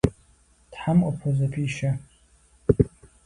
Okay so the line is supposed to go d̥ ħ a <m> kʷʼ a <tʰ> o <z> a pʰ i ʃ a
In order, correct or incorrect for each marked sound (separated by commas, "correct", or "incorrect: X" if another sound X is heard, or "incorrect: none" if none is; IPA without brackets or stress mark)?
correct, incorrect: pʰ, correct